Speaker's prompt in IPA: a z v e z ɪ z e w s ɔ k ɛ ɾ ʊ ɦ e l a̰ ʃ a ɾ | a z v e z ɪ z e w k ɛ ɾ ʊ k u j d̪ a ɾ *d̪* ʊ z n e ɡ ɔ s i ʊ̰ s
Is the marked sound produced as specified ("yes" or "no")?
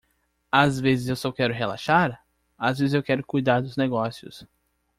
yes